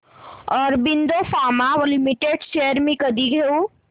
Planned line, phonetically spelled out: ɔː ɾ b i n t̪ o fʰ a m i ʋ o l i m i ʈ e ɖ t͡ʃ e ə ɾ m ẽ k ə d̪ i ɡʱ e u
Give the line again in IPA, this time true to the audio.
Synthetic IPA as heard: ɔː ɾ b i n d̪ o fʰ a m a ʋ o l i m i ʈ e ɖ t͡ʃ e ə ɾ m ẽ k ə d̪ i ɡʱ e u